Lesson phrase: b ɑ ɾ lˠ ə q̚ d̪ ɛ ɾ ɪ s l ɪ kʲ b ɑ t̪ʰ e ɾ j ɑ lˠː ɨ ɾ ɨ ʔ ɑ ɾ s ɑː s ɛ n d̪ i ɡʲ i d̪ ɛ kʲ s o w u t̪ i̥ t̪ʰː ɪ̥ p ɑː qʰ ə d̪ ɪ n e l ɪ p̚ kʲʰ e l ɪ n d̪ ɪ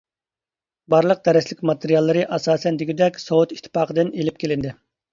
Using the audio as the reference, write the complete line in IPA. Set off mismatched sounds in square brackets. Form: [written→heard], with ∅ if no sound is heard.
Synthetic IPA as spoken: b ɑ ɾ lˠ ə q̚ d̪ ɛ ɾ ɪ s l ɪ kʲ [b→m] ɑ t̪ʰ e ɾ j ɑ lˠː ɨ ɾ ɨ ʔ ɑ [ɾ→∅] s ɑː s ɛ n d̪ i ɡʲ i d̪ ɛ kʲ s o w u t̪ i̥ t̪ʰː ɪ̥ p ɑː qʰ ə d̪ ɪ n e l ɪ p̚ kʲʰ e l ɪ n d̪ ɪ

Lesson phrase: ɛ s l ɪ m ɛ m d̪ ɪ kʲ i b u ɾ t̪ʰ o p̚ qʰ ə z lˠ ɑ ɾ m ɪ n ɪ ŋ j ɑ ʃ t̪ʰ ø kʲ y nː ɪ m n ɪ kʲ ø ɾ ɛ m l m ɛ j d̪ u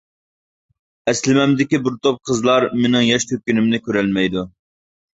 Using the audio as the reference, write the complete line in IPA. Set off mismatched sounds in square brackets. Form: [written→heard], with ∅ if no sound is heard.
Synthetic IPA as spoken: ɛ s l ɪ m ɛ m d̪ ɪ kʲ i b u ɾ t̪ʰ o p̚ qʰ ə z lˠ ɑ ɾ m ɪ n ɪ ŋ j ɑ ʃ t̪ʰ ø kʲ y [nː→n] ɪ m n ɪ kʲ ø ɾ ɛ [m→∅] l m ɛ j d̪ u

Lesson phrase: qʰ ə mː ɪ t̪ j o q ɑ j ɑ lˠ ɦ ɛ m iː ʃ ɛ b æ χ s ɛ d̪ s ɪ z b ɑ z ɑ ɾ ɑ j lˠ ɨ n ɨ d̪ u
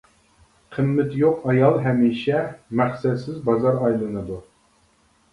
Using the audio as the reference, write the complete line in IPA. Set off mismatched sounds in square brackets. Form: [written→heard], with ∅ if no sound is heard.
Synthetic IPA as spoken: qʰ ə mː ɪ t̪ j o q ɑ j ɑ lˠ ɦ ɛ m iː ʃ ɛ [b→m] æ χ s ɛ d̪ s ɪ z b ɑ z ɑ ɾ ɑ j lˠ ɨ n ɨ d̪ u

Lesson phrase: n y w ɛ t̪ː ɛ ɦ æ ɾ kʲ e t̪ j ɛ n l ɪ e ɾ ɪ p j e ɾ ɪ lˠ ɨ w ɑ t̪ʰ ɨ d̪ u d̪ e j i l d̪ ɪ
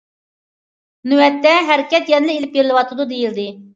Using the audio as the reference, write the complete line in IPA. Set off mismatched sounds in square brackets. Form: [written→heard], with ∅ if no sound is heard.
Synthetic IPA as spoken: n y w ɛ t̪ː ɛ ɦ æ ɾ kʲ [e→ɛ] t̪ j ɛ n l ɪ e [ɾ→l] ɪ p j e ɾ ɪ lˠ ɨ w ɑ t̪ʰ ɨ d̪ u d̪ e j i l d̪ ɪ

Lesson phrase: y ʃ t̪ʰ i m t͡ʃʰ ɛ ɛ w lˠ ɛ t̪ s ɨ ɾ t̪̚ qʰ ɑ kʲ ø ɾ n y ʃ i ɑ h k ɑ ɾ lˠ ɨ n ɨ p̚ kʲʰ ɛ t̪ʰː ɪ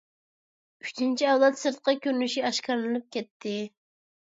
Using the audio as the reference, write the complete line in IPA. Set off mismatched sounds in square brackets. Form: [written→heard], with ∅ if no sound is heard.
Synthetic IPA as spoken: y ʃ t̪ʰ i [m→n] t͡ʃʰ [ɛ→i] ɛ w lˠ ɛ t̪ s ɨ ɾ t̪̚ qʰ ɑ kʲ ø ɾ n y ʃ i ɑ [h→ʃ] k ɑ ɾ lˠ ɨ n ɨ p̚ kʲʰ ɛ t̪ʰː ɪ

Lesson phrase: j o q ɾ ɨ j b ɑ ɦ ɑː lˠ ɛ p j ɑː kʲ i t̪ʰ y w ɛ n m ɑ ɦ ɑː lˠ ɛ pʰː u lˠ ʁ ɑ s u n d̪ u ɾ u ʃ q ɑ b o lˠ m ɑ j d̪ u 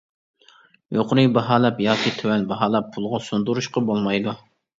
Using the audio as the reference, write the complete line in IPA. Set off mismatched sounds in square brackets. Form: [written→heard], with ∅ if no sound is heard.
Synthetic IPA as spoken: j o q ɾ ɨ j b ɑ ɦ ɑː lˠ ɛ p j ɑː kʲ i t̪ʰ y w ɛ n [m→b] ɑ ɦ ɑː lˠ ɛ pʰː u lˠ ʁ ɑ s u n d̪ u ɾ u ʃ q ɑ b o lˠ m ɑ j d̪ u

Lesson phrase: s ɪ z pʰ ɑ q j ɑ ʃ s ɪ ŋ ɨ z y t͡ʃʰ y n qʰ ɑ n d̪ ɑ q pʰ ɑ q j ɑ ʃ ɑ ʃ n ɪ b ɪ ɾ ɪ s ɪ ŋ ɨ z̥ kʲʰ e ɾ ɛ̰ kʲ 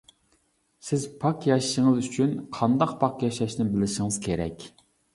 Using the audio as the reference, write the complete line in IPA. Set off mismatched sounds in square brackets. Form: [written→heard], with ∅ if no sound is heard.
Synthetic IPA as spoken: s ɪ z pʰ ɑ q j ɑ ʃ [s→ʃ] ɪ ŋ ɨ z y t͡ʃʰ y n qʰ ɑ n d̪ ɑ q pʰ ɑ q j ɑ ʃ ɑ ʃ n ɪ b ɪ [ɾ→l] ɪ [s→ʃ] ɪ ŋ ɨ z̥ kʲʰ e ɾ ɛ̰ kʲ

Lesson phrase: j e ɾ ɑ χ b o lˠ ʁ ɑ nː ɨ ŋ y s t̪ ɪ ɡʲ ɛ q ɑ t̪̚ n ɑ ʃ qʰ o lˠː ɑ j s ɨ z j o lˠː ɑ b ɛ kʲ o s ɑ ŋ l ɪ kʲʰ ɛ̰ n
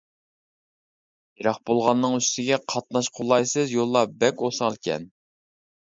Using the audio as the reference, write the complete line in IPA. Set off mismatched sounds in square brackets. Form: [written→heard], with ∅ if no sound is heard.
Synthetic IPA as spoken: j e ɾ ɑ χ b o lˠ ʁ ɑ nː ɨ ŋ y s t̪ ɪ ɡʲ ɛ [q→qʰ] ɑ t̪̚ n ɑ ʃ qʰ o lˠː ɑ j s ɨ z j o lˠː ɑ b ɛ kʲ o s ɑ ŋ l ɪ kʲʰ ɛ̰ n

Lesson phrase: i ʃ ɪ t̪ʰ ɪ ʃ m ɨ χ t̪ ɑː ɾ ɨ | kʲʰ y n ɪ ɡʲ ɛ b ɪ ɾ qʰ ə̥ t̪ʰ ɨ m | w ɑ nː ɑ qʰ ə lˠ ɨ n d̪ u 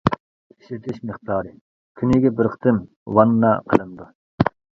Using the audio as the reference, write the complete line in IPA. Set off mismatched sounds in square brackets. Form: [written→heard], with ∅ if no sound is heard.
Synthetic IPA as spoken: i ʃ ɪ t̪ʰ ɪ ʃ m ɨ χ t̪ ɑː ɾ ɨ | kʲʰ y n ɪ ɡʲ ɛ b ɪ ɾ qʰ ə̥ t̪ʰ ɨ m | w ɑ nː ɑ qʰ ə lˠ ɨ n d̪ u

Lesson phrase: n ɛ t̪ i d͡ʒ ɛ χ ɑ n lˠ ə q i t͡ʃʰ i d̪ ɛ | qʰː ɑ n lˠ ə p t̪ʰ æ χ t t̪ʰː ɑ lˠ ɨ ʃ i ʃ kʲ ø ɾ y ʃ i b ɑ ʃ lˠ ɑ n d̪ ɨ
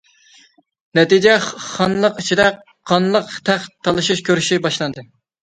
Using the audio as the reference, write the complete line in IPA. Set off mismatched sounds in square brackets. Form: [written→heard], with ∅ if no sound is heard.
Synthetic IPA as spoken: n ɛ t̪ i d͡ʒ ɛ χ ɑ n lˠ ə q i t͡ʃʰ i d̪ ɛ | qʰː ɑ n lˠ ə [p→q] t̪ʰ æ χ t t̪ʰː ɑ lˠ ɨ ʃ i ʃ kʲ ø ɾ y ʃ i b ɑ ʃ lˠ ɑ n d̪ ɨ

